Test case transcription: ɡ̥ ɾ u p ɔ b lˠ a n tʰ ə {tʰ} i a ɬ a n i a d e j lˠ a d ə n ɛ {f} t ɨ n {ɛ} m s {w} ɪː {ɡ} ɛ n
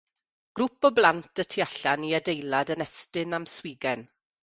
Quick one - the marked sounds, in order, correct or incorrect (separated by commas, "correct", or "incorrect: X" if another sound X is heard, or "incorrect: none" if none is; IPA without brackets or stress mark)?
correct, incorrect: s, incorrect: a, correct, correct